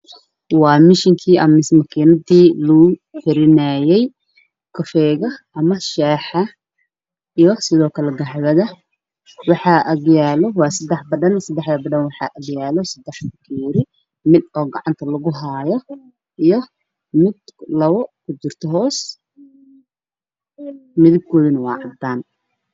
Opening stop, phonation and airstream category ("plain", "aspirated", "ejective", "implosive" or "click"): aspirated